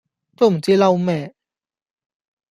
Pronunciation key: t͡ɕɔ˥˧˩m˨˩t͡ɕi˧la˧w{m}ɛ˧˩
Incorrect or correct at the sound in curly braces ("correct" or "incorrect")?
correct